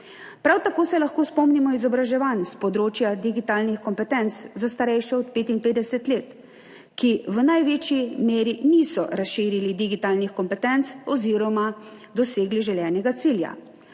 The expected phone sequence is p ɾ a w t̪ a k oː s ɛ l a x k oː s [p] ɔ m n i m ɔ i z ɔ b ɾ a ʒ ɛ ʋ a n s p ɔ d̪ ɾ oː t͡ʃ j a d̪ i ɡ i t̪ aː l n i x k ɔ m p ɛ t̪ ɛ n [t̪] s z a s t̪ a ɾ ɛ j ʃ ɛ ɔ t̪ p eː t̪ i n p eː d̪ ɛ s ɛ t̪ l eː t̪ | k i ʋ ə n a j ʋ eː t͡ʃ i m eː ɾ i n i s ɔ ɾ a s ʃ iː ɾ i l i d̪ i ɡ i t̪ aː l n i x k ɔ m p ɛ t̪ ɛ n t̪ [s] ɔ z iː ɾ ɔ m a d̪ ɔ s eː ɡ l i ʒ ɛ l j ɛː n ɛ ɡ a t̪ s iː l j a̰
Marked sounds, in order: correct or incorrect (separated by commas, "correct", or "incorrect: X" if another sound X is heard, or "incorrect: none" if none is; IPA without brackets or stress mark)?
correct, correct, correct